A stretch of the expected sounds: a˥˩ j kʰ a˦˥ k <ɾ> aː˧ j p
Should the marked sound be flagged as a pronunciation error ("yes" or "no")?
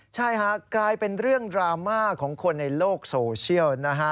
yes